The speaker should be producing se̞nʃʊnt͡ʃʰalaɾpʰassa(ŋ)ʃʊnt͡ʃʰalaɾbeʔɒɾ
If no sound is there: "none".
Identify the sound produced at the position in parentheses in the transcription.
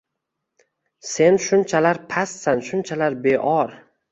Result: n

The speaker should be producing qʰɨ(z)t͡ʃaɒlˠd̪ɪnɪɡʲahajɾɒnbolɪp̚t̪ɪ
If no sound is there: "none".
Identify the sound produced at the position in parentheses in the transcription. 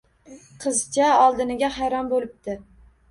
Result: z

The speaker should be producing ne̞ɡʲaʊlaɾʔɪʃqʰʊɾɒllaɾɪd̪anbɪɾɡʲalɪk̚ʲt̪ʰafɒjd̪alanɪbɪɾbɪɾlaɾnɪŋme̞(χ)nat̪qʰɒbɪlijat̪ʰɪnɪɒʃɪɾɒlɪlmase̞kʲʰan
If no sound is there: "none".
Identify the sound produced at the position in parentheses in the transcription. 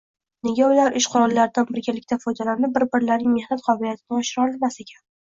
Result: h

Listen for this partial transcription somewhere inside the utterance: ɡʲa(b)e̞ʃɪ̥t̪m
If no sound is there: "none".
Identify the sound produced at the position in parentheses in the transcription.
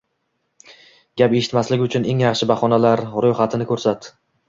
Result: p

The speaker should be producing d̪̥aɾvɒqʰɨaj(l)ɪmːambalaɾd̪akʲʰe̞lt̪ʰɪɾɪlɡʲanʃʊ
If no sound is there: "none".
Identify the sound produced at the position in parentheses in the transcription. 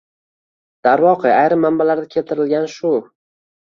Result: ɾ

